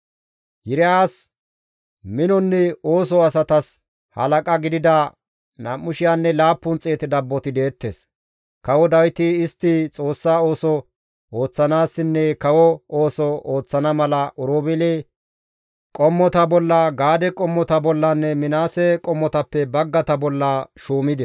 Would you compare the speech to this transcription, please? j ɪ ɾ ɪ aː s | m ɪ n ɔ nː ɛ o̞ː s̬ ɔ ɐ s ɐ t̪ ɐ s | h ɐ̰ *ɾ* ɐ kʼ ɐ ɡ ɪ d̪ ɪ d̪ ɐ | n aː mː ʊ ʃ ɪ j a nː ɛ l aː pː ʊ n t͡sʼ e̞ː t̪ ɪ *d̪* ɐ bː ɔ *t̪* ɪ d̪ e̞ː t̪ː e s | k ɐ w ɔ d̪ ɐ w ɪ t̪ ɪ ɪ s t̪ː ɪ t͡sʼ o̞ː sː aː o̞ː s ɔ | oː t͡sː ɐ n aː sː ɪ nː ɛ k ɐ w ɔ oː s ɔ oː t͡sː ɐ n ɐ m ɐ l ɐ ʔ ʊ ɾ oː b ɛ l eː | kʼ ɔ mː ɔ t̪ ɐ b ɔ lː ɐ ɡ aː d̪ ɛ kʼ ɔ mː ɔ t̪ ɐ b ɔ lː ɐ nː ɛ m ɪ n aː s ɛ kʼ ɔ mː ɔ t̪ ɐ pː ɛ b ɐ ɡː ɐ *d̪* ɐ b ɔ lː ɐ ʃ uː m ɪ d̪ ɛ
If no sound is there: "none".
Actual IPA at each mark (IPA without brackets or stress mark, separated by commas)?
l, d̪, t̪, t̪